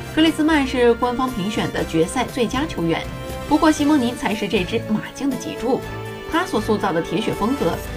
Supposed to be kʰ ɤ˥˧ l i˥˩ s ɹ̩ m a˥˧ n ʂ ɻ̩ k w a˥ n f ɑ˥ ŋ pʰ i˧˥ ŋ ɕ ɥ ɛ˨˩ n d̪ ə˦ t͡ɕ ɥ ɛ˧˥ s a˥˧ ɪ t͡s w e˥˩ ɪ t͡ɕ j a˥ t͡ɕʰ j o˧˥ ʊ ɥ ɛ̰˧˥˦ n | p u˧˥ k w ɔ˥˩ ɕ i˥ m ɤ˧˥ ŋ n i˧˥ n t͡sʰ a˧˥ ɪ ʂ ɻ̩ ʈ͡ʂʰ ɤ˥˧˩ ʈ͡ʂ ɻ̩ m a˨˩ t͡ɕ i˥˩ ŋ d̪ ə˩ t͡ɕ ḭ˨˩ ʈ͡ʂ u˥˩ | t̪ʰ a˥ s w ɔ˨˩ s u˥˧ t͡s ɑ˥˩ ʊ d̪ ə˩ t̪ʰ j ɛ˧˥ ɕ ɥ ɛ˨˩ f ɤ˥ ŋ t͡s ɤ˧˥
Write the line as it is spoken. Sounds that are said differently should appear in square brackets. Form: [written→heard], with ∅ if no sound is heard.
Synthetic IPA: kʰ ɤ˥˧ l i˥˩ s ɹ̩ m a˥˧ n ʂ ɻ̩ k w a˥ n f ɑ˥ ŋ pʰ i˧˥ ŋ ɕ ɥ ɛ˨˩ n d̪ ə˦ t͡ɕ ɥ ɛ˧˥ s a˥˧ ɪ t͡s w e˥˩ ɪ t͡ɕ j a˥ t͡ɕʰ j o˧˥ ʊ ɥ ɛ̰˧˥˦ n | p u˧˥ k w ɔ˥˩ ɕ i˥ m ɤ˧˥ ŋ n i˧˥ n t͡sʰ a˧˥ ɪ ʂ ɻ̩ [ʈ͡ʂʰ→ʈ͡ʂ] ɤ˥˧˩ ʈ͡ʂ ɻ̩ m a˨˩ t͡ɕ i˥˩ ŋ d̪ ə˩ t͡ɕ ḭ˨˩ ʈ͡ʂ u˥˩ | t̪ʰ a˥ s w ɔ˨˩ s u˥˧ t͡s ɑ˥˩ ʊ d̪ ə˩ t̪ʰ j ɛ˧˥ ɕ ɥ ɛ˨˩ f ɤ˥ ŋ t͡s ɤ˧˥